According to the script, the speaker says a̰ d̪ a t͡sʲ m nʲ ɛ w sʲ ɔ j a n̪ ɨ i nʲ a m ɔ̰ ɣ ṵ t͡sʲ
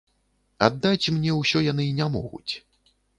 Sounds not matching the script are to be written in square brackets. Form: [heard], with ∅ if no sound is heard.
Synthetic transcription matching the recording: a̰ [d̪ː] a t͡sʲ m nʲ ɛ w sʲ ɔ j a n̪ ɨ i nʲ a m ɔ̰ ɣ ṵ t͡sʲ